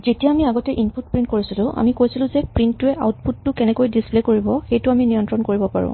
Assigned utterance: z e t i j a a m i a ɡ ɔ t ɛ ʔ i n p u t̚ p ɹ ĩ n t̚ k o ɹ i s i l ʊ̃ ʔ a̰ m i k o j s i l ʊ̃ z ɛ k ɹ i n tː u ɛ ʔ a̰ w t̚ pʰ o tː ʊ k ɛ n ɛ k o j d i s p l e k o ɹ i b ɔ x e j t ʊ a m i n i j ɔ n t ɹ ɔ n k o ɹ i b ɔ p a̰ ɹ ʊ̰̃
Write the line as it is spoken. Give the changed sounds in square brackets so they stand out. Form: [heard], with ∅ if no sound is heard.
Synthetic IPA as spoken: z e t i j a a m i a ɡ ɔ t ɛ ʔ i n p u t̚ p ɹ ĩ n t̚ k o ɹ i s i l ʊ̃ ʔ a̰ m i k o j s i l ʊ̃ z ɛ [p] ɹ i n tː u ɛ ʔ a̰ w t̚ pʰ [u] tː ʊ k ɛ n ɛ k o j d i s p l e k o ɹ i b ɔ x e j t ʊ a m i n i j ɔ n t ɹ ɔ n k o ɹ i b ɔ p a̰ ɹ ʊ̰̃